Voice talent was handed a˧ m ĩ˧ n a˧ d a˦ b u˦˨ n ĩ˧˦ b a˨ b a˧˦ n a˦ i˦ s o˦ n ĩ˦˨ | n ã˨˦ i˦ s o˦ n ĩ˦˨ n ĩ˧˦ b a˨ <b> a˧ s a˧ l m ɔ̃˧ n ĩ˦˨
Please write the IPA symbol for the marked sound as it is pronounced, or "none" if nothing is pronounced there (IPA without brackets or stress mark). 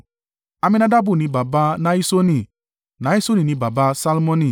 b